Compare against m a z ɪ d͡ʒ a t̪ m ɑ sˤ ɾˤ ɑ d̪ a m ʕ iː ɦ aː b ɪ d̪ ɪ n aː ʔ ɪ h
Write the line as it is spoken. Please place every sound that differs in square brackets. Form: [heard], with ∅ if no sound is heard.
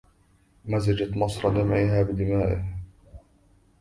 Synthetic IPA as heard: m a z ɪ d͡ʒ a t̪ m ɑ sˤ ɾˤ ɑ d̪ a m ʕ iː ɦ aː b ɪ d̪ ɪ [m] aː ʔ ɪ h